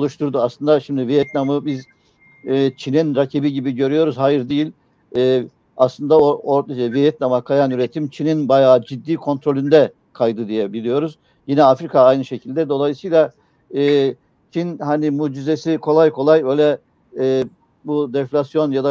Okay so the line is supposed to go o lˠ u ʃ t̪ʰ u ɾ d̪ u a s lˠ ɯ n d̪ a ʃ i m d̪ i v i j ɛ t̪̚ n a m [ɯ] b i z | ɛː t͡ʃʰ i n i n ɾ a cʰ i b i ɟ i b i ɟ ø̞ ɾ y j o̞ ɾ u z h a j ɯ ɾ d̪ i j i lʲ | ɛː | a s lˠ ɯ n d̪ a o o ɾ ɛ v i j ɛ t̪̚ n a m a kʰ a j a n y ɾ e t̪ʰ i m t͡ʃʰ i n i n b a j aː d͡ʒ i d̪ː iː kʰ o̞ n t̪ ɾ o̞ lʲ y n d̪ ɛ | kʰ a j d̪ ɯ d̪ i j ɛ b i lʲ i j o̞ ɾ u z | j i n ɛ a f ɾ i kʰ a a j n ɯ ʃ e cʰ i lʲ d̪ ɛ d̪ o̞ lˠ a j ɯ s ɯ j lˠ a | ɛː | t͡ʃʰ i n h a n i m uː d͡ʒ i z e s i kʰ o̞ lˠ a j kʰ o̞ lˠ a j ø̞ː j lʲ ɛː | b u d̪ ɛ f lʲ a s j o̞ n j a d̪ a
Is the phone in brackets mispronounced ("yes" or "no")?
no